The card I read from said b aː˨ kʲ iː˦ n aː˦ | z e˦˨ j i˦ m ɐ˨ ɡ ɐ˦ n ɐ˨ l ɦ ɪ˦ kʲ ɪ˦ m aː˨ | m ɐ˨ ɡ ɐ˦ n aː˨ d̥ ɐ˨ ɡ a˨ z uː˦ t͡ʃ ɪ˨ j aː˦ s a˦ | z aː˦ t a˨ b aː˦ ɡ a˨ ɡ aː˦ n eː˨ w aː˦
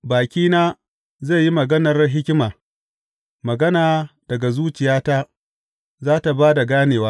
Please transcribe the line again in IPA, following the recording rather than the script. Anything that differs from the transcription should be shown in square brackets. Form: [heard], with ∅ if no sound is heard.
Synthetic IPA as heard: b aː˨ kʲ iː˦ n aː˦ | z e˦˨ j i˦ m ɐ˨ ɡ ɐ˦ n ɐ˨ [r] ɦ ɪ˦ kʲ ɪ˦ m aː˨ | m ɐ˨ ɡ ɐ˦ n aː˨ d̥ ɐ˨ ɡ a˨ z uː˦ t͡ʃ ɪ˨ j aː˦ [t] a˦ | z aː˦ t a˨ b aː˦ [d] a˨ ɡ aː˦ n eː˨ w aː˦